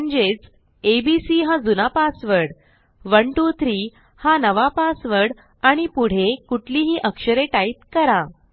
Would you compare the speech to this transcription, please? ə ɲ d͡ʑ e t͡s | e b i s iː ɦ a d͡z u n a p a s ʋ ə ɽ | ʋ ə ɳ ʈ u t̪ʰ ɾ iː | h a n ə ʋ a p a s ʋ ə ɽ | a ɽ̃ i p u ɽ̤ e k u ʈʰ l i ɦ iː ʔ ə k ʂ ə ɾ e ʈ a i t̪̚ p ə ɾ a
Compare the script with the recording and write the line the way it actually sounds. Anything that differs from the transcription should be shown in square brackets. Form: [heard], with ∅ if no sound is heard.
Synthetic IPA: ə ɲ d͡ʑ e t͡s | e b i s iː ɦ a d͡z u n a p a s ʋ ə ɽ | ʋ ə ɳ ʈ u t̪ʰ ɾ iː | h a n ə ʋ a p a s ʋ ə ɽ | a ɽ̃ i p u ɽ̤ e k u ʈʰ l i ɦ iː ʔ ə k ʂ ə ɾ e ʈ a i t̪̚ [k] ə ɾ a